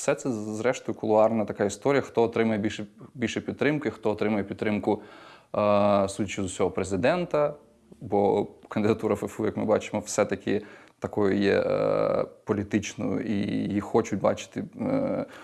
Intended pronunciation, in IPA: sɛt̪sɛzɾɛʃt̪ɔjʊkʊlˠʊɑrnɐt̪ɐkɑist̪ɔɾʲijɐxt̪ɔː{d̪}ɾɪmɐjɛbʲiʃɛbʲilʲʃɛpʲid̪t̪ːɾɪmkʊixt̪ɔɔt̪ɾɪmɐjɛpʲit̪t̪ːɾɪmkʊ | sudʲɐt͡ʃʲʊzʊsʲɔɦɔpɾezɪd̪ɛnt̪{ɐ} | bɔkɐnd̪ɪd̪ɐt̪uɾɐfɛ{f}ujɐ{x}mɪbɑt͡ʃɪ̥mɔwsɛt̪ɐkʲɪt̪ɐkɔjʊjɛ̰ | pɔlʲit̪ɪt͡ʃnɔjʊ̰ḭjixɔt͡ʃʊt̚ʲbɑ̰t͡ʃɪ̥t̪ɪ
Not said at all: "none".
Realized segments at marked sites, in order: t̪, ɐ, f, k

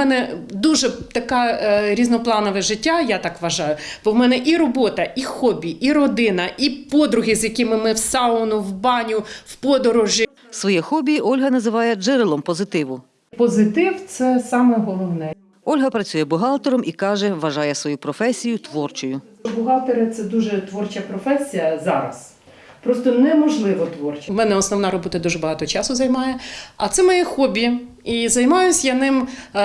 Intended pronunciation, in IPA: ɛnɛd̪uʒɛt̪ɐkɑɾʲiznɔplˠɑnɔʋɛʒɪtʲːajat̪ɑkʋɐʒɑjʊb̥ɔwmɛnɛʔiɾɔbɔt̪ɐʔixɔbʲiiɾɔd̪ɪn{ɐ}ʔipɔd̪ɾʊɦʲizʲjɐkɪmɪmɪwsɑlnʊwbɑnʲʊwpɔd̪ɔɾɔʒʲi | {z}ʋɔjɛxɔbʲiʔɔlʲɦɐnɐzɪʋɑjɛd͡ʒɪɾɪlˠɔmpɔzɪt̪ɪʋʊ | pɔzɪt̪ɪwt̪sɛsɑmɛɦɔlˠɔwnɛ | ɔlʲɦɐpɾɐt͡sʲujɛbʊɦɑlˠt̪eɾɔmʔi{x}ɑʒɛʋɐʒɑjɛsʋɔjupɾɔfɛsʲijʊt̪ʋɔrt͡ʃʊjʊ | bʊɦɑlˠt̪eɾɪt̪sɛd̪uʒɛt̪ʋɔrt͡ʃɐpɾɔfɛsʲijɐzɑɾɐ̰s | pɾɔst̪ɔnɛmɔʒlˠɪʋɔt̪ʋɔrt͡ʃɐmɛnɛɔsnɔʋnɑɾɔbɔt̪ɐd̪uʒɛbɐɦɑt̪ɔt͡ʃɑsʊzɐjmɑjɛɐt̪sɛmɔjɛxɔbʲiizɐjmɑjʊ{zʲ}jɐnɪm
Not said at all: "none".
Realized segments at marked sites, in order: ɐ, s, k, sʲ

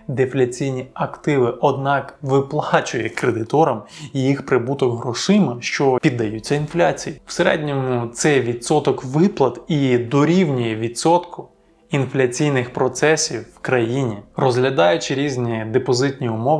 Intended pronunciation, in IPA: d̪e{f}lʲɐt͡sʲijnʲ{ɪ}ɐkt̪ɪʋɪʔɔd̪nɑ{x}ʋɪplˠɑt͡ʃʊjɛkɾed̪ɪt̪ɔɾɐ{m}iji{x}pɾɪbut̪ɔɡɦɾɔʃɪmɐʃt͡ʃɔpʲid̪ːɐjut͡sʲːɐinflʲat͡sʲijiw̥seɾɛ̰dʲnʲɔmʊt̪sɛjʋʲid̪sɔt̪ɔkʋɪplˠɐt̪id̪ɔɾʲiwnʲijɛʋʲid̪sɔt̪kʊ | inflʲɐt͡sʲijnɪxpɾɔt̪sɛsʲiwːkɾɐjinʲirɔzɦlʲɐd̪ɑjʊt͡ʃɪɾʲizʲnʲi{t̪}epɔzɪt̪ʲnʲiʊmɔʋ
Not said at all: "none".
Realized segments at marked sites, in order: f, i, k, m, x, d̪

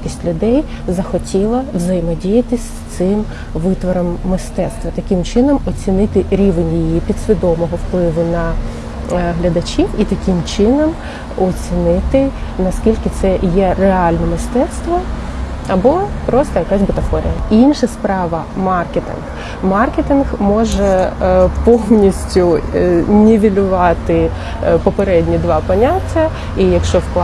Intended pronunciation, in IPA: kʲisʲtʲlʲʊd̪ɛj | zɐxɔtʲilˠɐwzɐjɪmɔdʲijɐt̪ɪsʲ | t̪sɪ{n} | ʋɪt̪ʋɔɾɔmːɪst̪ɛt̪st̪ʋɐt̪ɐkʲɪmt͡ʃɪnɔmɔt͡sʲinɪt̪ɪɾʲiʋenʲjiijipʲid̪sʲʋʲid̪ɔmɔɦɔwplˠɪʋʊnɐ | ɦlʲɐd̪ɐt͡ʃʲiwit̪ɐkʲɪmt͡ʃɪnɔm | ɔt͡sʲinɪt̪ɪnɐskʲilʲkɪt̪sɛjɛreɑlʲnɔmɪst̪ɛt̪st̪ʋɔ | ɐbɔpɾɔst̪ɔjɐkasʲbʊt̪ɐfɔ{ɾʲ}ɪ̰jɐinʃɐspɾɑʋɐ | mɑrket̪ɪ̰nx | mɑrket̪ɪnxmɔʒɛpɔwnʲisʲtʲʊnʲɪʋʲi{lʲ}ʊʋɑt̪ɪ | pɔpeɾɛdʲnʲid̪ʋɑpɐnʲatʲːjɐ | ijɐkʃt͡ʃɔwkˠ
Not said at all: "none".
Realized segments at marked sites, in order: m, ɾʲ, lʲ

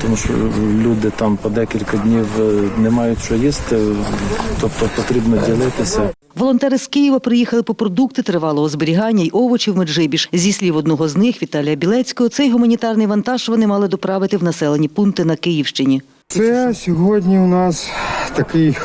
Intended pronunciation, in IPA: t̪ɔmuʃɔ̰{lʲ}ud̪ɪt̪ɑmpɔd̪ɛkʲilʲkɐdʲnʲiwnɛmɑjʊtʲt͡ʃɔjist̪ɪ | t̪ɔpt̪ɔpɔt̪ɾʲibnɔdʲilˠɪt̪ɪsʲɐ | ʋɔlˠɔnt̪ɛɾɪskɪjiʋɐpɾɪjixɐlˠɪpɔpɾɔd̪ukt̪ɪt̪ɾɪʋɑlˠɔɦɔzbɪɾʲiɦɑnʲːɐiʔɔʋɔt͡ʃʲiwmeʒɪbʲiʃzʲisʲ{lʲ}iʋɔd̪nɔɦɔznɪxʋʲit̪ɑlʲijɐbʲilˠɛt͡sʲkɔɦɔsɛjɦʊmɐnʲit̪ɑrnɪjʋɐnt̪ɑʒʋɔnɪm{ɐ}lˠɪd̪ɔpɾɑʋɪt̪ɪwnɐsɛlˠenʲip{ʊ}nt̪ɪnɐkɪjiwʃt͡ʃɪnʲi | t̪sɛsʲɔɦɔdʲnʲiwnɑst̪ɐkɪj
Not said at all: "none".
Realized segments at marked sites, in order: lʲ, lʲ, ɑ, u

